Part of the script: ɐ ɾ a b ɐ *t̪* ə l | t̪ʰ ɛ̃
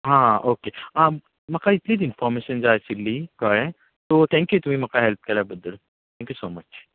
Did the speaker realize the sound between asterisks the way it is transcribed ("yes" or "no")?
no